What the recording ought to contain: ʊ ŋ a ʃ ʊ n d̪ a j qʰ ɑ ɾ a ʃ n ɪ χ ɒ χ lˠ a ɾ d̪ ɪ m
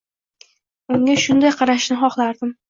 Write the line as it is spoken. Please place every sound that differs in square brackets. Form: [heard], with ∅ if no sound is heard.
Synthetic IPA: ʊ ŋ a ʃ ʊ n d̪ a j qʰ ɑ ɾ a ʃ n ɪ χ ɒ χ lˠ a ɾ d̪ ɪ m